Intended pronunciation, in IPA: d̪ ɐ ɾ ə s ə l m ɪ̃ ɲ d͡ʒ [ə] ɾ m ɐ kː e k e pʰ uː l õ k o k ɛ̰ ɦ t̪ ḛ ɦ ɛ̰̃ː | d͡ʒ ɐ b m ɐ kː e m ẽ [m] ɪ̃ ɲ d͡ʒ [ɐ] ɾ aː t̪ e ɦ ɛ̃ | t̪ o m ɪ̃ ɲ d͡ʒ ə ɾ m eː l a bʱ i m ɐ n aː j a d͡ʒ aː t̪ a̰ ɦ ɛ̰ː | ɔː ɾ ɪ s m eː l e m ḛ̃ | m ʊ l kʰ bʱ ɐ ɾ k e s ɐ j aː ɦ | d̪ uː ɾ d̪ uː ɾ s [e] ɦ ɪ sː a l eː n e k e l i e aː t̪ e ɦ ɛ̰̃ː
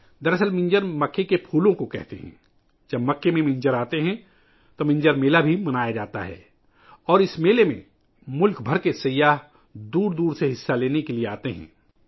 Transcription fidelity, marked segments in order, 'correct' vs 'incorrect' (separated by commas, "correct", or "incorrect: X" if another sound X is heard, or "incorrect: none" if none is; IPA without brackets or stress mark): correct, correct, incorrect: ə, correct